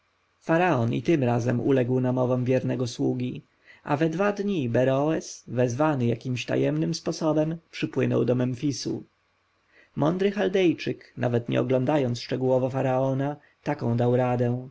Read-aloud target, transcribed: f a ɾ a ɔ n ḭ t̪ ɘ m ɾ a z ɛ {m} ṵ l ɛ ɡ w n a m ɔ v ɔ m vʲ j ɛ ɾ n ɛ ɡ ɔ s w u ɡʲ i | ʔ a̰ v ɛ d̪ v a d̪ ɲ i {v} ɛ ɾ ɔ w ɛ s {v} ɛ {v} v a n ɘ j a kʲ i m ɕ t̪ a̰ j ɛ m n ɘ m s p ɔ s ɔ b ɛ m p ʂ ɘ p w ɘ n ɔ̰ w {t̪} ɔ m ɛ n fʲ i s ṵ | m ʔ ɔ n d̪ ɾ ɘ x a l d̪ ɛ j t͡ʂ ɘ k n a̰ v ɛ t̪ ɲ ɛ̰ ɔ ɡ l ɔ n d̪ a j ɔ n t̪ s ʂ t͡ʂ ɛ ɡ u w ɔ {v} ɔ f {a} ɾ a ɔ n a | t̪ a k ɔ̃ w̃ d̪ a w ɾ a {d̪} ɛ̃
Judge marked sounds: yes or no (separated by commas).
yes, no, yes, no, no, yes, yes, yes